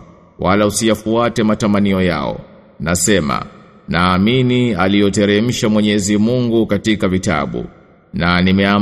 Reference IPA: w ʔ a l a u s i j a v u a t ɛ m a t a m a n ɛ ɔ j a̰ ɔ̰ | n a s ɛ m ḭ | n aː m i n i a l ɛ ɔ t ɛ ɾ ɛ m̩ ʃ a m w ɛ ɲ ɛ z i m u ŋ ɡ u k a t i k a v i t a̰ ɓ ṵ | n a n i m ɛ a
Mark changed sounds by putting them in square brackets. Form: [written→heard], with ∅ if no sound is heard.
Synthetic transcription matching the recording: w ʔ a l a u s i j a [v→f] u a t ɛ m a t a m a n [ɛ→i] ɔ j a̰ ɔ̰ | n a s ɛ m [ḭ→a̰] | n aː m i n i a l [ɛ→i] ɔ t ɛ ɾ ɛ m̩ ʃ a m w ɛ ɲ ɛ z i m u ŋ ɡ u k a t i k a v i t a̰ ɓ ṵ | n a n i m ɛ a